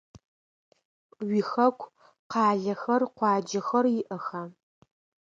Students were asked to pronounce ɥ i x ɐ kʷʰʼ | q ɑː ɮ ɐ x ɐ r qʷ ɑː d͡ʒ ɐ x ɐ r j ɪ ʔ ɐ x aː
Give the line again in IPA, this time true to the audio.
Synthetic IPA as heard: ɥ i x ɐ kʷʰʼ | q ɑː ɮ ɐ x ɐ r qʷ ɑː d͡ʒ ɐ x ɐ r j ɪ ʔ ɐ x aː